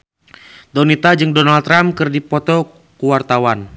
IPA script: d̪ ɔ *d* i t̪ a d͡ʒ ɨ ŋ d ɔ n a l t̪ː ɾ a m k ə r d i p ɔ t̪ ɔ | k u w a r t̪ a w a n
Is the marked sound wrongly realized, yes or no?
yes